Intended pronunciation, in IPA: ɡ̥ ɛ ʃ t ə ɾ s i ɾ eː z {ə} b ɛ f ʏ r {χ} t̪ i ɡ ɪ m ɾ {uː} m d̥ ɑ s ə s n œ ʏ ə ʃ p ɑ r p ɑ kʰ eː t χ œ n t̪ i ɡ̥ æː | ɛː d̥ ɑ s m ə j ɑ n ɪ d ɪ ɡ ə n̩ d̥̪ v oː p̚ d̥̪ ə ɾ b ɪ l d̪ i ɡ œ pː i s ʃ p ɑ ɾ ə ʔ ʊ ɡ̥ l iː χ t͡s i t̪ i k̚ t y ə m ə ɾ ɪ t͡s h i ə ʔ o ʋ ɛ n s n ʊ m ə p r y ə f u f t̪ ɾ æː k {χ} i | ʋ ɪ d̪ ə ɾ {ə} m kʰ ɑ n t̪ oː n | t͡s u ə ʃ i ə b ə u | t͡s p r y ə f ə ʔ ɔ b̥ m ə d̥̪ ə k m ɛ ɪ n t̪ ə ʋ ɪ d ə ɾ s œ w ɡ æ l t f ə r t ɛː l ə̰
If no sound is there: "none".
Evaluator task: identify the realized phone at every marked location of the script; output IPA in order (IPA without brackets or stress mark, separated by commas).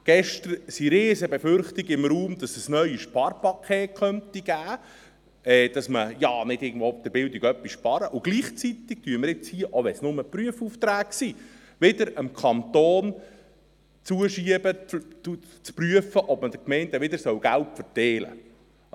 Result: ə, χ, uː, s, ə